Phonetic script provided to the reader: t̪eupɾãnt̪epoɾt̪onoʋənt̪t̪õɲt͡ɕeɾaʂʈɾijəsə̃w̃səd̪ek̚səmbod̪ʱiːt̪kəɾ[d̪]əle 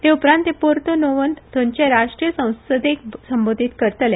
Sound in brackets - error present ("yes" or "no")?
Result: yes